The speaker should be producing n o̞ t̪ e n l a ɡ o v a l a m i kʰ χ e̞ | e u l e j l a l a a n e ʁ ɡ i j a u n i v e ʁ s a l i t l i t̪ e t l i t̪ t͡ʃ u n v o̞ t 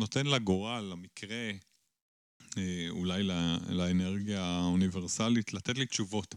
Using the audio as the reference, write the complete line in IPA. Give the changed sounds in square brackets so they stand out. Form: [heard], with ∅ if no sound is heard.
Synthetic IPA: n o̞ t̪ e n l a ɡ o [ʁ] a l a m i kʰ [ʁ] e̞ | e u l [a] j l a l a [e] n e ʁ ɡ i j a u n i v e ʁ s a l i t l [a] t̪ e t l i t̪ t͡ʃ u [∅] v o̞ t